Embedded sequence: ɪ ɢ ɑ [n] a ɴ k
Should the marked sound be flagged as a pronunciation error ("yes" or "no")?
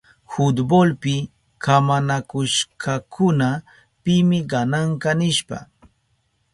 no